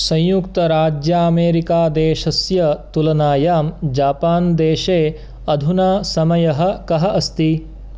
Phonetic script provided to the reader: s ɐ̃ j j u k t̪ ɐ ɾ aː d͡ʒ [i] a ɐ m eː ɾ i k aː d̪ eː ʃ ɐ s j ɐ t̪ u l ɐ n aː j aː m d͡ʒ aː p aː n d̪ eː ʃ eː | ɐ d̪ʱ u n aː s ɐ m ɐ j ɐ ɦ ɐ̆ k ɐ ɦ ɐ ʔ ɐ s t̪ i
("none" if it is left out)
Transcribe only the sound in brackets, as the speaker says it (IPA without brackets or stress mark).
j